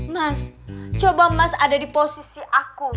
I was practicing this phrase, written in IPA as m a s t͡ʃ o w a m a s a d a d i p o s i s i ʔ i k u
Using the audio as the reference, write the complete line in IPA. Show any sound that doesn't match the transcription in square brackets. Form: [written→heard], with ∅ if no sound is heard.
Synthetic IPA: m a s t͡ʃ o [w→b] a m a s a d a d i p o s i s i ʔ [i→a] k u